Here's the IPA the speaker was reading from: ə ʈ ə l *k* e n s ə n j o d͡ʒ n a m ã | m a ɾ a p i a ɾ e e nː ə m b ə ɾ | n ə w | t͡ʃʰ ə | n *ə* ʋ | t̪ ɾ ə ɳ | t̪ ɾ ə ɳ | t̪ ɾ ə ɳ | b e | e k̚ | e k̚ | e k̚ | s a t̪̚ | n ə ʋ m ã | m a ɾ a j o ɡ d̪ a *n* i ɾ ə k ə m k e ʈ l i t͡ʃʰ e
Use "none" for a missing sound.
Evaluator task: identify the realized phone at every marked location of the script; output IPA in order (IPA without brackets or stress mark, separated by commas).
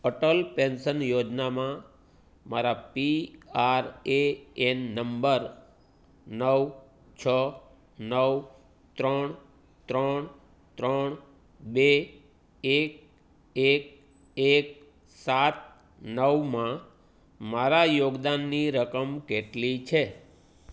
p, ə, nː